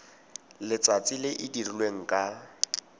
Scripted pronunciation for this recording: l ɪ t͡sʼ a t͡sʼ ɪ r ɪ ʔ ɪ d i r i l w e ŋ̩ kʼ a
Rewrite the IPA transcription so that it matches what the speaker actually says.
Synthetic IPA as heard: l ɪ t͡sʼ a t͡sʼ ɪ l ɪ ʔ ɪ d i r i l w e ŋ̩ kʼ a